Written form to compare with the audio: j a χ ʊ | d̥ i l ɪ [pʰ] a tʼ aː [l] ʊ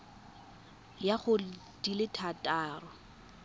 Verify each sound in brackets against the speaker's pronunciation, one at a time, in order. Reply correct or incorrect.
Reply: incorrect: tʰ, incorrect: r

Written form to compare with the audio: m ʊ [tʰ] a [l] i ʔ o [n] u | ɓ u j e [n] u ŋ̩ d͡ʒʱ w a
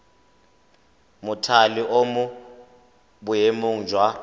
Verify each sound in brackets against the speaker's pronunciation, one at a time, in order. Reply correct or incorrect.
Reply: correct, correct, incorrect: m, incorrect: m

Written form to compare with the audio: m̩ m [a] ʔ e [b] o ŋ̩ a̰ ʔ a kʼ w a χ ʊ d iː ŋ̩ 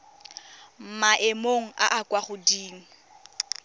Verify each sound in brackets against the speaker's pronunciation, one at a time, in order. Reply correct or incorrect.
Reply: correct, incorrect: m

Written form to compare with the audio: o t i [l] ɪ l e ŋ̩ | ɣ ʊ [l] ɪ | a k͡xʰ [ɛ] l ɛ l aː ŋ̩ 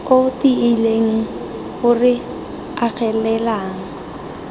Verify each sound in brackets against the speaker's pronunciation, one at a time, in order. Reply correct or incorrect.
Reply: incorrect: none, incorrect: r, correct

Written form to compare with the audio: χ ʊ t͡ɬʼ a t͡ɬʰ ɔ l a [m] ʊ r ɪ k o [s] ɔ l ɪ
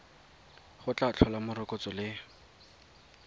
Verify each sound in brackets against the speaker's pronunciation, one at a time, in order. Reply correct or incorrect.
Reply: correct, incorrect: t͡s

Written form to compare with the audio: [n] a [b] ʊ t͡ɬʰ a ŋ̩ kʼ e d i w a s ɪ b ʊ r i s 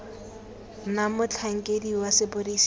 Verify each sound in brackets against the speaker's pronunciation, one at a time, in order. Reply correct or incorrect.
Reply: correct, incorrect: m

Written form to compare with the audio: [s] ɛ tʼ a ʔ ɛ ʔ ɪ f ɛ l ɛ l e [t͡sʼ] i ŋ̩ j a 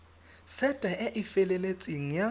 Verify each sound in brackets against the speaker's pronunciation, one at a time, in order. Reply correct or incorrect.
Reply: correct, correct

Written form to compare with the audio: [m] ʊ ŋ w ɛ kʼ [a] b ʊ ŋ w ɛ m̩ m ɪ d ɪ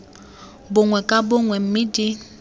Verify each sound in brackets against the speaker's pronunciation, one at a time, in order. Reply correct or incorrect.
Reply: incorrect: b, correct

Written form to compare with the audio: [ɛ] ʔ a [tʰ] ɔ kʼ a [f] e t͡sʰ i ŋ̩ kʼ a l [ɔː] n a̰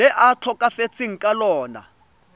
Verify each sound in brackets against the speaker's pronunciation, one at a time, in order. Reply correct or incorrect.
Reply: correct, correct, correct, correct

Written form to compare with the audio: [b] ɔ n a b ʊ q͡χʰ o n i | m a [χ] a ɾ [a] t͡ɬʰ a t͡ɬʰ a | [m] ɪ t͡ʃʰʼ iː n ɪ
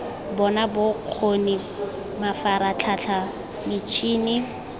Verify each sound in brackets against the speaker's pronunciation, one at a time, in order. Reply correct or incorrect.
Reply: correct, incorrect: f, correct, correct

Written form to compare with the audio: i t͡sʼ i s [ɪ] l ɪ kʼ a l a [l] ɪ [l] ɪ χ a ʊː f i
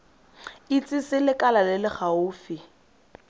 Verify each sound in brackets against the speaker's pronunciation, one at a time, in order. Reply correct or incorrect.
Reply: correct, correct, correct

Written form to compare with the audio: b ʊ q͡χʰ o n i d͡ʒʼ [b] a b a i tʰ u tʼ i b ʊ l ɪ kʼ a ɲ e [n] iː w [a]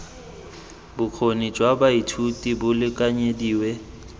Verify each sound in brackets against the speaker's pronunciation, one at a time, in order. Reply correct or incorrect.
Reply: incorrect: w, incorrect: d, incorrect: ɛ

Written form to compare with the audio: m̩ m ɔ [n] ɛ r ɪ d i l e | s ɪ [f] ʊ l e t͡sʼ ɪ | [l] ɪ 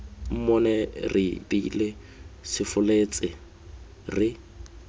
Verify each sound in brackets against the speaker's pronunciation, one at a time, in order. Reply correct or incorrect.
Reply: correct, correct, incorrect: r

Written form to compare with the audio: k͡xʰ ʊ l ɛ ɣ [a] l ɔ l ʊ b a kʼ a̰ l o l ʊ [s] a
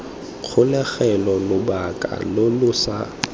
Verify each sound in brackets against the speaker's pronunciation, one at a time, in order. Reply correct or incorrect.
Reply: incorrect: ɛ, correct

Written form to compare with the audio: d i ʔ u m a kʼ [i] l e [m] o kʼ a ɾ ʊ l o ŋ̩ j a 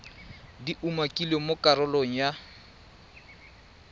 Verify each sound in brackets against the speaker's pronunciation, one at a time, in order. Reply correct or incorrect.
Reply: correct, correct

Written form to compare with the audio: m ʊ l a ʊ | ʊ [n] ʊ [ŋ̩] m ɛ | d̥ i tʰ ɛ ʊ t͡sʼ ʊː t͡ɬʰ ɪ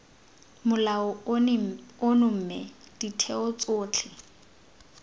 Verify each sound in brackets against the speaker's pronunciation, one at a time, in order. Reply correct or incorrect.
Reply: correct, incorrect: m̩

